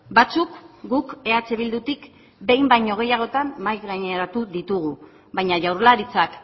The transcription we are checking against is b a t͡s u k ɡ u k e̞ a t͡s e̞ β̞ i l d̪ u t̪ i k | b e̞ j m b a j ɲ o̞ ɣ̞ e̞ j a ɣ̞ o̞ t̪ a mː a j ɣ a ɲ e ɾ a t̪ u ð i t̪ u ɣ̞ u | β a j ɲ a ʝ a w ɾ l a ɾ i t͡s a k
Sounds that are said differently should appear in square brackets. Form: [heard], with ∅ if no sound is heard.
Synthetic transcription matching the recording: b a t͡s u k ɡ u k e̞ a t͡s e̞ β̞ i l d̪ u t̪ i k | b e̞ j m b a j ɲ o̞ ɣ̞ e̞ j a ɣ̞ o̞ t̪ a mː a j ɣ a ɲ e ɾ a t̪ u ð i t̪ u ɣ̞ u | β a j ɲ a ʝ a w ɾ l a ɾ i t͡s a k